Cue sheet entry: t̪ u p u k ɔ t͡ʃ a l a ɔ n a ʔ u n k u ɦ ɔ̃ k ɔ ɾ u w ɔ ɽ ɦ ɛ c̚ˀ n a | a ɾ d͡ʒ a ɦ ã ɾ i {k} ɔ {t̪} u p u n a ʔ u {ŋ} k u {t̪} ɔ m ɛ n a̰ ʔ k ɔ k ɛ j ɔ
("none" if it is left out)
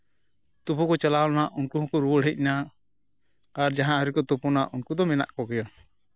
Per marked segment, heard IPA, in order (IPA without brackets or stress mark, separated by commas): k, t̪, n, d̪